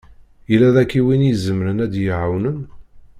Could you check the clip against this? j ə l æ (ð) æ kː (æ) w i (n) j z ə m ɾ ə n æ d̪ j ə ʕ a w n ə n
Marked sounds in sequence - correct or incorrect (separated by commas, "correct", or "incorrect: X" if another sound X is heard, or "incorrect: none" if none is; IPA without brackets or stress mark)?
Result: correct, incorrect: i, correct